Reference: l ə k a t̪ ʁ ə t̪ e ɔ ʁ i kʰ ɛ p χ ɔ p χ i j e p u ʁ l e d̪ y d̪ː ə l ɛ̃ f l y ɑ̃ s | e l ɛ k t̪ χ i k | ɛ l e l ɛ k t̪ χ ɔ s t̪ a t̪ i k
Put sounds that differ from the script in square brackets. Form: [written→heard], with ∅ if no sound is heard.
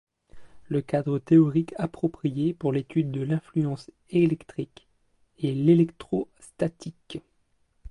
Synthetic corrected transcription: l ə k a [t̪→d̪] ʁ ə t̪ e ɔ ʁ i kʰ [ɛ→a] p χ ɔ p χ i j e p u ʁ l e [d̪→t̪] y d̪ː ə l ɛ̃ f l y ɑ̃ s | e l ɛ k t̪ χ i k | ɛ l e l ɛ k t̪ χ ɔ s t̪ a t̪ i k